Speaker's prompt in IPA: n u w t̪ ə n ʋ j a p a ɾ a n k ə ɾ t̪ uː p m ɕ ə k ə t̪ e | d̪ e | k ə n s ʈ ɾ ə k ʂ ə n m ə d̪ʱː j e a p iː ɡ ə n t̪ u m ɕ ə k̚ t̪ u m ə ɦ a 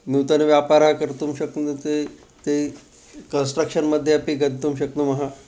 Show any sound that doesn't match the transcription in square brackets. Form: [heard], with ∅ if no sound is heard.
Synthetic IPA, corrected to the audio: n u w t̪ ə n ʋ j a p a ɾ a [∅] k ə ɾ t̪ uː [∅] m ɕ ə k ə t̪ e | [t̪] e | k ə n s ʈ ɾ ə k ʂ ə n m ə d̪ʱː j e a p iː ɡ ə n t̪ u m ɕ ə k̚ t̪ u m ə ɦ a

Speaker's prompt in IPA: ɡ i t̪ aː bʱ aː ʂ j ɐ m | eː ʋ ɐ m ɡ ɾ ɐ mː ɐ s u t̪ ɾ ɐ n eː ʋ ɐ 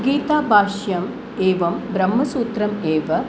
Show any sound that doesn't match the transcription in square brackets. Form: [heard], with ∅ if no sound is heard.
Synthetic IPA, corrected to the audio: ɡ [iː] t̪ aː bʱ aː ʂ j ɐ m | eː ʋ ɐ m [b] ɾ ɐ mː ɐ s [uː] t̪ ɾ ɐ [m] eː ʋ ɐ

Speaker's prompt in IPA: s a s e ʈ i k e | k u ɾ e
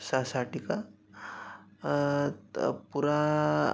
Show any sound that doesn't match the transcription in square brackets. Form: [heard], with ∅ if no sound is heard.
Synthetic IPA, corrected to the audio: s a s [a] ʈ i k [a] | [p] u ɾ [a]

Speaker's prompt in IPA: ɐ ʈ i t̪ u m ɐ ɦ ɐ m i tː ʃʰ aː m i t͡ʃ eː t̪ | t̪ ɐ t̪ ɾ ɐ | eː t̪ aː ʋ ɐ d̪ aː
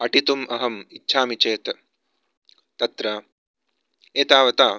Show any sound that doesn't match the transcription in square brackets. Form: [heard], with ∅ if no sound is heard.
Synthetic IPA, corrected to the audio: ɐ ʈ i t̪ u m ɐ ɦ ɐ m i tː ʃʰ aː m i t͡ʃ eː t̪ | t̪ ɐ t̪ ɾ ɐ | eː t̪ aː ʋ ɐ [t̪] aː

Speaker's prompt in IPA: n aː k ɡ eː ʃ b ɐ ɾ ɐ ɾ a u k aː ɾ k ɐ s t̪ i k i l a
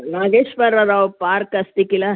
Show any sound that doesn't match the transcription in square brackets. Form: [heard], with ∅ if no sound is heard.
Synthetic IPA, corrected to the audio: n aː [∅] ɡ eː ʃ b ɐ ɾ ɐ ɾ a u [p] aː ɾ k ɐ s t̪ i k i l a

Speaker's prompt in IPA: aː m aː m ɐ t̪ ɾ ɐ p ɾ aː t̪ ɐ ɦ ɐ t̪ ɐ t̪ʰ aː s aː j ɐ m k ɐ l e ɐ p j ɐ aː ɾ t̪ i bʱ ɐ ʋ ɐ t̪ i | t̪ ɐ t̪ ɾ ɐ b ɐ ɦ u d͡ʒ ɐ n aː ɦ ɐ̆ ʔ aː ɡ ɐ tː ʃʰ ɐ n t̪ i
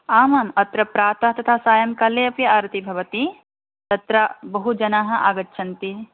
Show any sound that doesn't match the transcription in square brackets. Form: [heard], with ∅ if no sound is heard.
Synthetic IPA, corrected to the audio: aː m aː m ɐ t̪ ɾ ɐ p ɾ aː t̪ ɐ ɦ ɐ t̪ ɐ t̪ʰ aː s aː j ɐ m k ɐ l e ɐ p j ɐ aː ɾ t̪ i bʱ ɐ ʋ ɐ t̪ i | t̪ ɐ t̪ ɾ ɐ b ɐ ɦ u d͡ʒ ɐ n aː ɦ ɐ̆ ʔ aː ɡ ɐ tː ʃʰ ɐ n t̪ i

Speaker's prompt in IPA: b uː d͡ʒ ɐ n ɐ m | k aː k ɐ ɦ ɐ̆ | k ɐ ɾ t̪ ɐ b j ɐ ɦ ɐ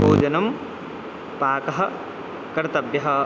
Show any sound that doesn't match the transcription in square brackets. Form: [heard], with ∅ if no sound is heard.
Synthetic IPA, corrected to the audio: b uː d͡ʒ ɐ n ɐ m | [p] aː k ɐ ɦ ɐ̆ | k ɐ ɾ t̪ ɐ b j ɐ ɦ ɐ

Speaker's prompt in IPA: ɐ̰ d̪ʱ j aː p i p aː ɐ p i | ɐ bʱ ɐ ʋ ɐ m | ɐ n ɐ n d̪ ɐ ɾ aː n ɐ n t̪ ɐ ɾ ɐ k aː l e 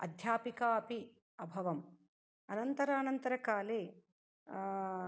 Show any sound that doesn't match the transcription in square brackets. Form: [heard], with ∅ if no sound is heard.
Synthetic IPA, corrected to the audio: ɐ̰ d̪ʱ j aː p i [k] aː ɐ p i | ɐ bʱ ɐ ʋ ɐ m | ɐ n ɐ n [t̪] ɐ ɾ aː n ɐ n t̪ ɐ ɾ ɐ k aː l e

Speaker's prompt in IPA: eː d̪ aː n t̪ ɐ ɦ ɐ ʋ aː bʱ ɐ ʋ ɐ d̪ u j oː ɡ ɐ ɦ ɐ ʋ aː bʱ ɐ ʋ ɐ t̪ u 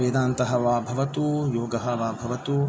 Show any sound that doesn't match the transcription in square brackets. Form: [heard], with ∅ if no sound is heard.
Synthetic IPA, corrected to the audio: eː d̪ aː n t̪ ɐ ɦ ɐ ʋ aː bʱ ɐ ʋ ɐ [t̪] u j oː ɡ ɐ ɦ ɐ ʋ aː bʱ ɐ ʋ ɐ t̪ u

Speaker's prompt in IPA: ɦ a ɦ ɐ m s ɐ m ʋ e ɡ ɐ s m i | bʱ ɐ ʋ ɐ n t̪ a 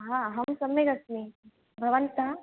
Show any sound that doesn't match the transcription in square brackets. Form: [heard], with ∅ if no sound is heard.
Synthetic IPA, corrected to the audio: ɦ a ɦ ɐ m s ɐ m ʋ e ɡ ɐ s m i | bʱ ɐ ʋ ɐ n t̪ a

